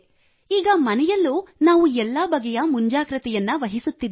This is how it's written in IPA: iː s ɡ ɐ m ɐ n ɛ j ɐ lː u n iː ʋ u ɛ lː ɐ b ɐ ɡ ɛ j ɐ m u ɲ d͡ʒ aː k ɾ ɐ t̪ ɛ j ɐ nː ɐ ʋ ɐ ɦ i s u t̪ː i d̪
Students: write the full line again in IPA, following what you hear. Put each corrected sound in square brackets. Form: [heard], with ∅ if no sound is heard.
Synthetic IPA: iː [∅] ɡ ɐ m ɐ n ɛ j ɐ lː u n [aː] ʋ u ɛ lː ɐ b ɐ ɡ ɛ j ɐ m u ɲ d͡ʒ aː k ɾ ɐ t̪ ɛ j ɐ nː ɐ ʋ ɐ ɦ i s u t̪ː i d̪